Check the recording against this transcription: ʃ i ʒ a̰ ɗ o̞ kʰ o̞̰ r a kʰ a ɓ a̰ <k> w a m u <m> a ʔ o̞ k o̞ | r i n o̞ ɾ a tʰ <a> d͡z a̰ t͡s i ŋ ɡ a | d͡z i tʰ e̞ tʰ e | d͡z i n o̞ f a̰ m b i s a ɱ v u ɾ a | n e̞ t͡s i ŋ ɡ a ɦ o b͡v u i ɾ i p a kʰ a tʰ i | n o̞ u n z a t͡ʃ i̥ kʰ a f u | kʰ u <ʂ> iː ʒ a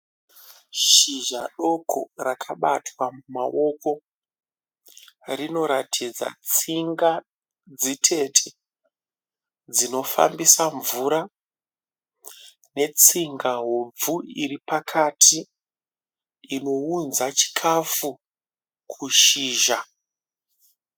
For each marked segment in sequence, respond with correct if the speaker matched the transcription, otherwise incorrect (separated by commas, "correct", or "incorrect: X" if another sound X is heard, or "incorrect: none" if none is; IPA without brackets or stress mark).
incorrect: t, correct, incorrect: i, incorrect: ʃ